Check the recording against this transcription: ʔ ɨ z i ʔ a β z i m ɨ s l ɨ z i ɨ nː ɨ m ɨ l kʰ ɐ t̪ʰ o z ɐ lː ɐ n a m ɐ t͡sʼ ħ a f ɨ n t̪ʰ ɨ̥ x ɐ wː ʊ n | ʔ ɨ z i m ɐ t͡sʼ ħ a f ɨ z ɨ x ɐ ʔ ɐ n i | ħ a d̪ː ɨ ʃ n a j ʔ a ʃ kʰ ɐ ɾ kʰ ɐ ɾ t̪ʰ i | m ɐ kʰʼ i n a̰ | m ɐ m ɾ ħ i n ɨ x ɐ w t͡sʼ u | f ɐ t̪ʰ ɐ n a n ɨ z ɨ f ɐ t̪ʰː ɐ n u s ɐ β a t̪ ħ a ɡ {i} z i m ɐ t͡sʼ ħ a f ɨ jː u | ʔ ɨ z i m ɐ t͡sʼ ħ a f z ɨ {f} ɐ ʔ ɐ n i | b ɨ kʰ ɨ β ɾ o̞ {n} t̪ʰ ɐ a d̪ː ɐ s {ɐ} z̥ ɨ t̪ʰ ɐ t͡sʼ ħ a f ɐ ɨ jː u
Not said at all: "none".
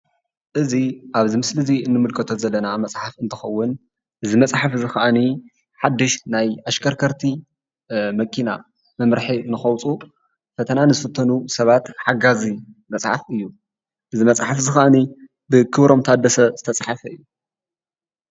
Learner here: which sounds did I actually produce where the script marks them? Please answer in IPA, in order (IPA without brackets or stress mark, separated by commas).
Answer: a, x, m, ɐ